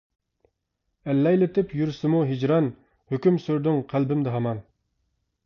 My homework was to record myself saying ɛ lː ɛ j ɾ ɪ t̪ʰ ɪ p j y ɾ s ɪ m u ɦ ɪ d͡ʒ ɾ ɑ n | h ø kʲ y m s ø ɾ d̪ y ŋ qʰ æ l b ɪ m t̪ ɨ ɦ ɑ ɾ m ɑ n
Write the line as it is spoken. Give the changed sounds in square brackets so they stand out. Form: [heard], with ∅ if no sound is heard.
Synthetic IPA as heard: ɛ lː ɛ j [l] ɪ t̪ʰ ɪ p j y ɾ s ɪ m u ɦ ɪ d͡ʒ ɾ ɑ n | h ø kʲ y m s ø ɾ d̪ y ŋ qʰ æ l b ɪ m [d̪] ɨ ɦ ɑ [∅] m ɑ n